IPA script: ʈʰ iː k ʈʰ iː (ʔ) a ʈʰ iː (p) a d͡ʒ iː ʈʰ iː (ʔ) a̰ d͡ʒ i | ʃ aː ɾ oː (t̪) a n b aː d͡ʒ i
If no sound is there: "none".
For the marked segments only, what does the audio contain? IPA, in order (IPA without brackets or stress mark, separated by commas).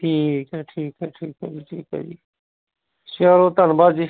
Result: k, k, k, t̪